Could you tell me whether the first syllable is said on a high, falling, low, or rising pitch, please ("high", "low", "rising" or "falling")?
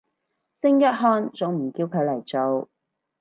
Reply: high